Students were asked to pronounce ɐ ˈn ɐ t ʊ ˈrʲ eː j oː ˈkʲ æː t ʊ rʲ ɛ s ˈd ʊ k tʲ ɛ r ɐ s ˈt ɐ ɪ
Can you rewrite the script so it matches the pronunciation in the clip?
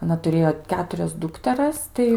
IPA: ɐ ˈn ɐ t ʊ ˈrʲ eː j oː ˈkʲ æː t ʊ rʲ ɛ s ˈd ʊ k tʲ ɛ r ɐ s ˈt ɐ ɪ